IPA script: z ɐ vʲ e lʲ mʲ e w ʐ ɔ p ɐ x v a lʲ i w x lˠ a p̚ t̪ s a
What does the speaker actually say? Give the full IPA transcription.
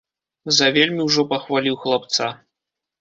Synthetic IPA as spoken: z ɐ vʲ e lʲ mʲ i w ʐ ɔ p ɐ x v a lʲ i w x lˠ a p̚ t̪ s a